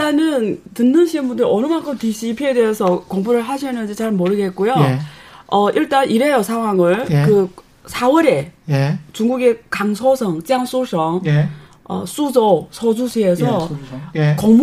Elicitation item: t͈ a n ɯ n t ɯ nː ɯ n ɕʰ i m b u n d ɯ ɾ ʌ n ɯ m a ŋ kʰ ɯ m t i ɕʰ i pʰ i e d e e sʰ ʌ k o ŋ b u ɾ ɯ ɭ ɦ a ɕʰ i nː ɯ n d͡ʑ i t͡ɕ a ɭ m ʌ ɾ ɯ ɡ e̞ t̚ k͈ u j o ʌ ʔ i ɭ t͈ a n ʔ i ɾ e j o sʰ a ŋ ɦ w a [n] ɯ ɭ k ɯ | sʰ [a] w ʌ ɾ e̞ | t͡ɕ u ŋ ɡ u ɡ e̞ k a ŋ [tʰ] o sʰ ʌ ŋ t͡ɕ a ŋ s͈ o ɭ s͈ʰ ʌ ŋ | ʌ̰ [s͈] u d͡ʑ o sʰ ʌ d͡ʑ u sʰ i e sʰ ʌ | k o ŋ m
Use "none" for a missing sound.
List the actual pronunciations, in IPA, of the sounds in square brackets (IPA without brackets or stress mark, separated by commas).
ŋ, a, sʰ, s͈